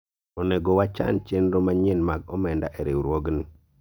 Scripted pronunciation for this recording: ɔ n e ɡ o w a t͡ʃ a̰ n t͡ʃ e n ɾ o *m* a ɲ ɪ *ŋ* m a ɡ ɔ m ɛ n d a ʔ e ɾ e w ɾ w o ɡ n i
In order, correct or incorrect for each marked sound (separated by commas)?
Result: correct, incorrect